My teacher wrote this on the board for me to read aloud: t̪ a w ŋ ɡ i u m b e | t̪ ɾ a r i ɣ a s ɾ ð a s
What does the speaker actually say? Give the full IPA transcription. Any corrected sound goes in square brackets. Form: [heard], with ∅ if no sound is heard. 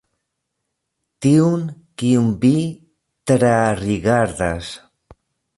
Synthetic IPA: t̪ [i] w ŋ [k] i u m b [i] | t̪ ɾ a r i ɣ a [∅] ɾ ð a s

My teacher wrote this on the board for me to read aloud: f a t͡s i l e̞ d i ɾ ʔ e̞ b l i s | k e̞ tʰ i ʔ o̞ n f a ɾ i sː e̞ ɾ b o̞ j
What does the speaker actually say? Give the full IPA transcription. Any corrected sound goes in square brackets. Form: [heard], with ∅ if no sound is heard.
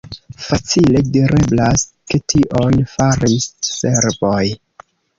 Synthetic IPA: f a t͡s i l e̞ d i ɾ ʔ e̞ b l [a] s | k e̞ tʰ i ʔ o̞ n f a ɾ i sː e̞ ɾ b o̞ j

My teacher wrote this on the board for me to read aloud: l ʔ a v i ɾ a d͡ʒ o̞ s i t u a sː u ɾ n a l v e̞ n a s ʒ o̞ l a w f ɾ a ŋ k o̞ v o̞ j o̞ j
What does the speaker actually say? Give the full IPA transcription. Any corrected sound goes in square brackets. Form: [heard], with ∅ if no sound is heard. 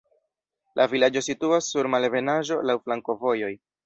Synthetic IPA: l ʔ a v i [l] a d͡ʒ o̞ s i t u a sː u ɾ [m] a l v e̞ n a [∅] ʒ o̞ l a w f [l] a ŋ k o̞ v o̞ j o̞ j

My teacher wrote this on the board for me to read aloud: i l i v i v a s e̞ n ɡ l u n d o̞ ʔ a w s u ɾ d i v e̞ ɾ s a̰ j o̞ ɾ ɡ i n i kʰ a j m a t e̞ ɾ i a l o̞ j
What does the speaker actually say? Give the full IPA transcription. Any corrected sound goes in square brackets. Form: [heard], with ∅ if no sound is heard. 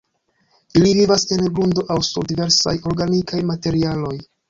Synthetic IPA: i l i v i v a s e̞ n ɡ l u n d o̞ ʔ a w s u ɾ d i v e̞ ɾ s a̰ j o̞ ɾ ɡ [a] n i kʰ a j m a t e̞ ɾ i a l o̞ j

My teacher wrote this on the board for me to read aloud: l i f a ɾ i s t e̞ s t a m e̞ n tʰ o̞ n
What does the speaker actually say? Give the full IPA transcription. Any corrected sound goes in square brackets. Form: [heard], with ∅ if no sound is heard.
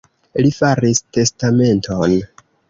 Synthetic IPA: l i f a ɾ i s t e̞ s t a m e̞ n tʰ o̞ n

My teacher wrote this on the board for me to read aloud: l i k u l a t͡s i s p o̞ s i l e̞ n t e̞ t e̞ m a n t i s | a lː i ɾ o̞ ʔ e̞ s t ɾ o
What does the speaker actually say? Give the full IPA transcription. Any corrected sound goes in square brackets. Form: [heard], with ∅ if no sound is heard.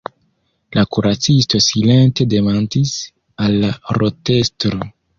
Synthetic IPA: l [a] k u [ɾ] a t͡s i s [t] o̞ s i l e̞ n t e̞ [d] e̞ m a n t i s | a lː [a] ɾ o̞ [t] e̞ s t ɾ o

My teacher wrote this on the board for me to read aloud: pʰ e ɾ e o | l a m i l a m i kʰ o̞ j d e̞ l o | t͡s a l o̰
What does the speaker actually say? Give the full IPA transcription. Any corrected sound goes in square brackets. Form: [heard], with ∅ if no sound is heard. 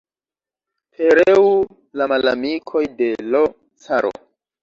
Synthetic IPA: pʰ e ɾ e [u] | l a m [a] l a m i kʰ o̞ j d e̞ l o | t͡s a [ɾ] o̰

